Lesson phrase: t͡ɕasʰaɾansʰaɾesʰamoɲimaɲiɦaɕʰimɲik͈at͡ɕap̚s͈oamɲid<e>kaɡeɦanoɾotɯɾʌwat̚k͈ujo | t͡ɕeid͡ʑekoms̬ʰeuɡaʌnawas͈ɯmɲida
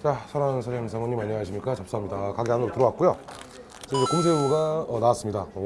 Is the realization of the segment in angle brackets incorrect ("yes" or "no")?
yes